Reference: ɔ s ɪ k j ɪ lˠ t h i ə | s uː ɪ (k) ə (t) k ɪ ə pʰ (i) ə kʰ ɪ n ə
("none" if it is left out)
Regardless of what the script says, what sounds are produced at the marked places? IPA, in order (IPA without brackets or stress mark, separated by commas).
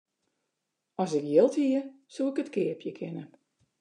k, t, j